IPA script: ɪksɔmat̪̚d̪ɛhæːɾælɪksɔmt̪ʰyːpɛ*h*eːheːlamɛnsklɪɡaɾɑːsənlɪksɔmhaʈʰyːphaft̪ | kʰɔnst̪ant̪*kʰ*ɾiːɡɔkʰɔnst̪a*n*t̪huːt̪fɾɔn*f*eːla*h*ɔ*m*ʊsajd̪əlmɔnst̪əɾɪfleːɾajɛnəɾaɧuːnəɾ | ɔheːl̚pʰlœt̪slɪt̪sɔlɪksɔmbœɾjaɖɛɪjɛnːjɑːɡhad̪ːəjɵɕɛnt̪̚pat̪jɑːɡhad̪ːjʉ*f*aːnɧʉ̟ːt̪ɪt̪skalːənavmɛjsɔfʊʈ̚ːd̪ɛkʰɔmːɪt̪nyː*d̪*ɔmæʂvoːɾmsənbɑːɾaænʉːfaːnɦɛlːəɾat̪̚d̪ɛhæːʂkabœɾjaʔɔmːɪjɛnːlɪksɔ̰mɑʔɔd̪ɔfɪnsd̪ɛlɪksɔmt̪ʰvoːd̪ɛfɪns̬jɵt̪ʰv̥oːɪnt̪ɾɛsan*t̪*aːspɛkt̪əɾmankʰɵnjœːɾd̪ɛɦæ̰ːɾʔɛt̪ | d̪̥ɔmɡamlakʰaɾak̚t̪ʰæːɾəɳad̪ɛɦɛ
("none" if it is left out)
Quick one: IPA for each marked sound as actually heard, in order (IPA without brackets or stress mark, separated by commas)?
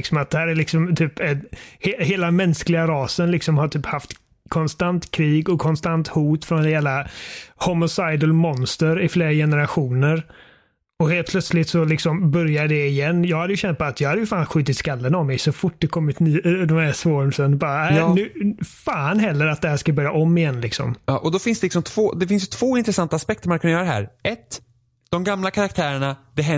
h, kʰ, n, h, h, m, f, d̪, t̪